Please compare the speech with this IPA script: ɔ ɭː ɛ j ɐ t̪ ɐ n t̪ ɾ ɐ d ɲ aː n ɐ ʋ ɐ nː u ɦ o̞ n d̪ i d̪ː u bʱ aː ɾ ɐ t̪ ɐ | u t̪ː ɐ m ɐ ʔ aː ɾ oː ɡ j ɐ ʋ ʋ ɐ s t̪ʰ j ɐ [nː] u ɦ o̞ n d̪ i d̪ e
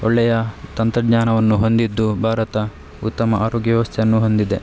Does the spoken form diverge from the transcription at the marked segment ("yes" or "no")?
no